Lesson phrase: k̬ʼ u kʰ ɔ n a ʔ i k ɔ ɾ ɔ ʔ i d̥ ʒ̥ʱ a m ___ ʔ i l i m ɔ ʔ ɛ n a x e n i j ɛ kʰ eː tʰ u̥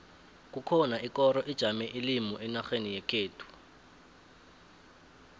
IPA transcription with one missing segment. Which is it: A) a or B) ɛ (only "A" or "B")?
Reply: B